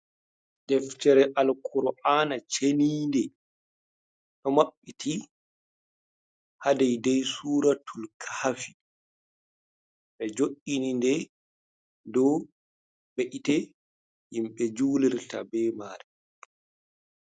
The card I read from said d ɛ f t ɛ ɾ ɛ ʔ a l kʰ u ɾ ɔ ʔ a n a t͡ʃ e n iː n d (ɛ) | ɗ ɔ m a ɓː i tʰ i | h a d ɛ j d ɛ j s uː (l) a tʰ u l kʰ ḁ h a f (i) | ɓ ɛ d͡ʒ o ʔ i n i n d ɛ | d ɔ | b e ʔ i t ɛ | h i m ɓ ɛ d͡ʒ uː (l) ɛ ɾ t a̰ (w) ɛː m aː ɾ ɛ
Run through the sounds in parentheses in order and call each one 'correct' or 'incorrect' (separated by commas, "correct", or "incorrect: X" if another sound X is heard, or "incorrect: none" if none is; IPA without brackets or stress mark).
correct, incorrect: ɾ, correct, correct, incorrect: b